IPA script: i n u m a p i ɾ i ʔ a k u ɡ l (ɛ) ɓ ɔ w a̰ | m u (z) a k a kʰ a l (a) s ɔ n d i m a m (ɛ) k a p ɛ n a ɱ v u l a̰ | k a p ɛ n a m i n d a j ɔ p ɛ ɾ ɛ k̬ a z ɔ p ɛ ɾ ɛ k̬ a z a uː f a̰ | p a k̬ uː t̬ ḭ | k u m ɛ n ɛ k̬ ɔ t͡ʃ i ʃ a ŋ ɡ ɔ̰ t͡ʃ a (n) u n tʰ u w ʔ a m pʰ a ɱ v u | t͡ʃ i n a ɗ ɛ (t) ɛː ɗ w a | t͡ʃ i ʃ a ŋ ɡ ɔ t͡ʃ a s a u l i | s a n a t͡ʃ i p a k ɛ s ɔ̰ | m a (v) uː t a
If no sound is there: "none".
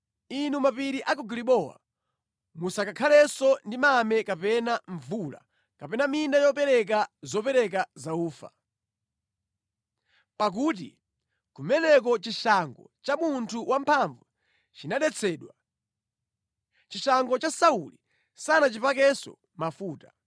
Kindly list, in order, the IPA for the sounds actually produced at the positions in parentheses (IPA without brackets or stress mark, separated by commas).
i, s, ɛ, ɛ, m, t͡sʰ, f